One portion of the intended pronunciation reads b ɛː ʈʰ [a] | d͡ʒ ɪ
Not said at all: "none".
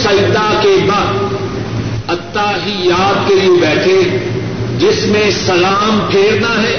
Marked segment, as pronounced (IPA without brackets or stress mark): e